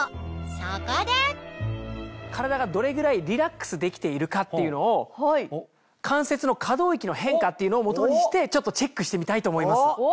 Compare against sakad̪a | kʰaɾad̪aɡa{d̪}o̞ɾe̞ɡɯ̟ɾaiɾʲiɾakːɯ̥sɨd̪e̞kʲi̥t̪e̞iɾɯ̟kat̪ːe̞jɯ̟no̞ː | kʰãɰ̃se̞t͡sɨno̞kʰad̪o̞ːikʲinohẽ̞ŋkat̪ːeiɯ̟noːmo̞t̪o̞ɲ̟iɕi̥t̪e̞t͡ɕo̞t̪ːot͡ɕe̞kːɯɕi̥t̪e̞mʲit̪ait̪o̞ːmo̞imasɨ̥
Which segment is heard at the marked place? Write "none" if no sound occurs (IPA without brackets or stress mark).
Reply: d̪